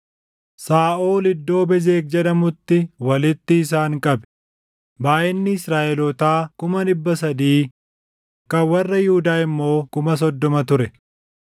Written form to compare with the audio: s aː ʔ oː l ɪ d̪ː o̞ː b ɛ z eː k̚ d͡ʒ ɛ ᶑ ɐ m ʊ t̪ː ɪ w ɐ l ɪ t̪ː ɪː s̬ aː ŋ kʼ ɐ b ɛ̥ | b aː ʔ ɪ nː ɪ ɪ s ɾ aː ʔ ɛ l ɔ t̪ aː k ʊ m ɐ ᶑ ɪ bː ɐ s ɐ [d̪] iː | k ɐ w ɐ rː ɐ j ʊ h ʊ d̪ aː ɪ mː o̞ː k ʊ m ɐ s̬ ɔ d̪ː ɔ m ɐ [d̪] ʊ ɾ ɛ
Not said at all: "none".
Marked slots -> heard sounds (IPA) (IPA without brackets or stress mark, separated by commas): d̪, t̪